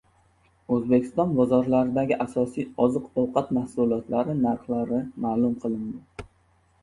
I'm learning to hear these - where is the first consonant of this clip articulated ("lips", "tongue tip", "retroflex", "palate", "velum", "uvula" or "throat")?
tongue tip